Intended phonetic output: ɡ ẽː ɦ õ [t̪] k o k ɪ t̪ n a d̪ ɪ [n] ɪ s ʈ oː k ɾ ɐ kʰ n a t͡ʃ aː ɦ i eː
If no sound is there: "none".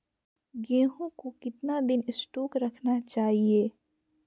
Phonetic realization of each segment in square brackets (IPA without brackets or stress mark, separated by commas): none, n